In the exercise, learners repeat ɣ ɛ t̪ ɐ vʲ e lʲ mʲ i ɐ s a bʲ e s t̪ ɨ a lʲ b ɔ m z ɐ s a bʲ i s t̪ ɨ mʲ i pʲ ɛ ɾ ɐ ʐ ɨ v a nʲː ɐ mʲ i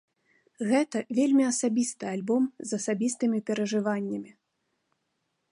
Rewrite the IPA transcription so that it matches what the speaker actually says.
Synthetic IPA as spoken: ɣ ɛ t̪ ɐ vʲ e lʲ mʲ i ɐ s a bʲ i s t̪ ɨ a lʲ b ɔ m z ɐ s a bʲ i s t̪ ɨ mʲ i pʲ ɛ ɾ ɐ ʐ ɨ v a nʲː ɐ mʲ i